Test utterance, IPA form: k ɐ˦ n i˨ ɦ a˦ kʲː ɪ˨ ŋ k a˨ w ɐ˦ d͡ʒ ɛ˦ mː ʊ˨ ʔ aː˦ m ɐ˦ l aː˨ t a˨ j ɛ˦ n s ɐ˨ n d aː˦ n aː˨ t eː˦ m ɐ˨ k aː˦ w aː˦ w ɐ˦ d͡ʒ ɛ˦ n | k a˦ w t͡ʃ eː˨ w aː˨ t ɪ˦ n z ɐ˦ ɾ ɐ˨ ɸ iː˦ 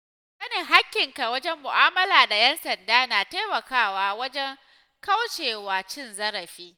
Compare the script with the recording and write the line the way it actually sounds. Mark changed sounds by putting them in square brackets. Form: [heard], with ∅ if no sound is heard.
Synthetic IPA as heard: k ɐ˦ n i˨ ɦ a˦ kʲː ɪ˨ ŋ k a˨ w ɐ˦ d͡ʒ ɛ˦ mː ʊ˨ ʔ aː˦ m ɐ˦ l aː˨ [d] a˨ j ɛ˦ n s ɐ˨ n d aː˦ n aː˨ t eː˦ m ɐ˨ k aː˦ w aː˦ w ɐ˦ d͡ʒ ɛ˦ [ŋ] | k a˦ w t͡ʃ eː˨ w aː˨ [t͡ʃ] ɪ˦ n z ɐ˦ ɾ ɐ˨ ɸ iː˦